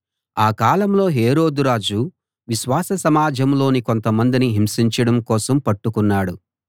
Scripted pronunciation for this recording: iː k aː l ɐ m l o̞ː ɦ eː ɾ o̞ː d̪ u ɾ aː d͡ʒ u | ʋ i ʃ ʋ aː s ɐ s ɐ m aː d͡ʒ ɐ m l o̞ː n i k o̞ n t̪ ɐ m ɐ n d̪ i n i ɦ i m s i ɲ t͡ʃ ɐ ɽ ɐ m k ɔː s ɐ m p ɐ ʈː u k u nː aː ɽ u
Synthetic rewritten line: aː k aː l ɐ m l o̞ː ɦ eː ɾ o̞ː d̪ u ɾ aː d͡ʒ u | ʋ i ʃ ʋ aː s ɐ s ɐ m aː d͡ʒ ɐ m l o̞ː n i k o̞ n t̪ ɐ m ɐ n d̪ i n i ɦ i m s i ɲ t͡ʃ ɐ ɽ ɐ m k ɔː s ɐ m p ɐ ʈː u k u nː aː ɽ u